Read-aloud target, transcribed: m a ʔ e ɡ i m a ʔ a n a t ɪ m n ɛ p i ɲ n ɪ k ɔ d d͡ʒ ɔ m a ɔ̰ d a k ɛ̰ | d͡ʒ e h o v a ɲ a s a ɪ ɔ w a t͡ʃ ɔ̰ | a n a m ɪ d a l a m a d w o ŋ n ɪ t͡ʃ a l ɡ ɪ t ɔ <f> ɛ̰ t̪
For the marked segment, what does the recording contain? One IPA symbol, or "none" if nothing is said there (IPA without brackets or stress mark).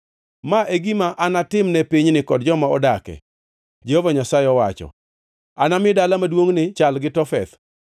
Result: f